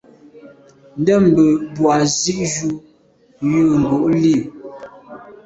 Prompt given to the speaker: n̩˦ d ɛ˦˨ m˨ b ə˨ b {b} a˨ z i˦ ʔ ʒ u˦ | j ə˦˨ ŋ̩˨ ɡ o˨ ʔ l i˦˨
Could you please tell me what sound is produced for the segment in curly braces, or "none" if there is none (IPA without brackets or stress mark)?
w